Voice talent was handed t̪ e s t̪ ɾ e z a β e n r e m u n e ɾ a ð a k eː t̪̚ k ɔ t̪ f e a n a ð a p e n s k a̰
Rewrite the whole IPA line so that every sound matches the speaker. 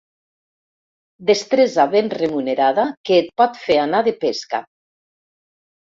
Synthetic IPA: d̪ e s t̪ ɾ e z a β e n r e m u n e ɾ a ð a k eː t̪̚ p ɔ t̪ f e a n a ð e p e s k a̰